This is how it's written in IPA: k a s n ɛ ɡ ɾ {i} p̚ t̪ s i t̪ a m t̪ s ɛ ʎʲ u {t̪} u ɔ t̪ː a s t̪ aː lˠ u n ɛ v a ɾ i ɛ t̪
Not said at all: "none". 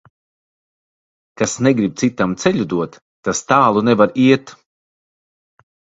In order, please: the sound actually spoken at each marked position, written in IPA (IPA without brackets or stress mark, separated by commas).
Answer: i, d̪